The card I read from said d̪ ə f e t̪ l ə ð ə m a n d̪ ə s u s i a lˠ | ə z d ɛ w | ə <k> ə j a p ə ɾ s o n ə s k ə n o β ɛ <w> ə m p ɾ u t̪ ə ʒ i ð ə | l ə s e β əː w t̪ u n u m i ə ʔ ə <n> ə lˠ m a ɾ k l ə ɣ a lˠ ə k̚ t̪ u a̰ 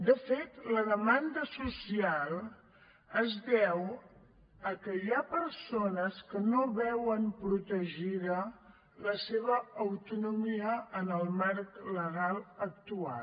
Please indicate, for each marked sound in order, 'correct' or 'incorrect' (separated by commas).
correct, correct, correct